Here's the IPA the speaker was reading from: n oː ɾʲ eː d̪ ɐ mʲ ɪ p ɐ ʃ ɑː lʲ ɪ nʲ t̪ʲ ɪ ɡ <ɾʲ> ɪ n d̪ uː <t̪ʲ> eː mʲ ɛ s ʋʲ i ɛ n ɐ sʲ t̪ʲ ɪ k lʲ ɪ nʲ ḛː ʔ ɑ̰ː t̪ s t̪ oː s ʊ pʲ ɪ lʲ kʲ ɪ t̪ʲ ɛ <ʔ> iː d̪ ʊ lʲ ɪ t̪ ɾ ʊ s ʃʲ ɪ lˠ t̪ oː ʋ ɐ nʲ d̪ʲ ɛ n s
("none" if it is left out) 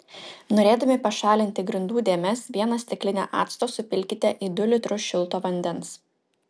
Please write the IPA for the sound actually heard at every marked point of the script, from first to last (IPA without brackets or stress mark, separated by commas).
ɾʲ, d̪ʲ, ʔ